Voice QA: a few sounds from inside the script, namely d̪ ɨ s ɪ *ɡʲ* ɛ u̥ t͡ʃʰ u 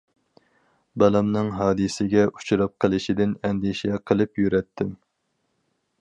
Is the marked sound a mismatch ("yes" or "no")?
no